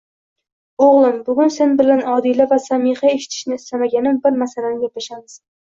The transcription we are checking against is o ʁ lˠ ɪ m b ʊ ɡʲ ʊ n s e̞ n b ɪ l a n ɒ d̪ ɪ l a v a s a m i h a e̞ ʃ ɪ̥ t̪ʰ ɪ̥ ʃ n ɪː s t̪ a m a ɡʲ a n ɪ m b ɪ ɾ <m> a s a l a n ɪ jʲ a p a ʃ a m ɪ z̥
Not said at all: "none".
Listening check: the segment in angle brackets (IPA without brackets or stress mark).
m